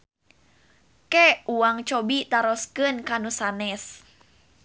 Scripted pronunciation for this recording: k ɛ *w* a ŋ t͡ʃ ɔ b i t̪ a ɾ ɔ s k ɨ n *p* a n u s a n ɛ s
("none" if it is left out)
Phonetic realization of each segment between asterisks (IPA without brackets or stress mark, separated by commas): u, k